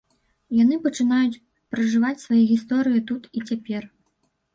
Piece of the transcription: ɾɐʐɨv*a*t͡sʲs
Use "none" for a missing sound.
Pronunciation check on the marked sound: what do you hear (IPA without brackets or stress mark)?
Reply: a